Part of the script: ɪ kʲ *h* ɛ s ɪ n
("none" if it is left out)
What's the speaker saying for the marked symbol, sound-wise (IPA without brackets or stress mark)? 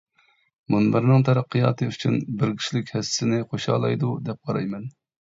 h